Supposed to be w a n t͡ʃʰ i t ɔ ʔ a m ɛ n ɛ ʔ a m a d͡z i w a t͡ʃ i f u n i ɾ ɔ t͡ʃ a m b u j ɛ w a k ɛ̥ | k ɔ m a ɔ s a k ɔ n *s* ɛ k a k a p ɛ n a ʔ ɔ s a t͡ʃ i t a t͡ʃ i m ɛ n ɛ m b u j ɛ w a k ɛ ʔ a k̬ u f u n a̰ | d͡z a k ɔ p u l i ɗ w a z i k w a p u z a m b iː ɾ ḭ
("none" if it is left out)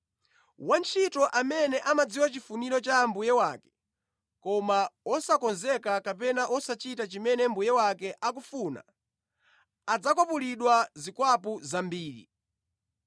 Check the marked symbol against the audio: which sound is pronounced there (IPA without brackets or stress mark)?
z